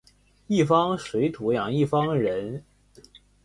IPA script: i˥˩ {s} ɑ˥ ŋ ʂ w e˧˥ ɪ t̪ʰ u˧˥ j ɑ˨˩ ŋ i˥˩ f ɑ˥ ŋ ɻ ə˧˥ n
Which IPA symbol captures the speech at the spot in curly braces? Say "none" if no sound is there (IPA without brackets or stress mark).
f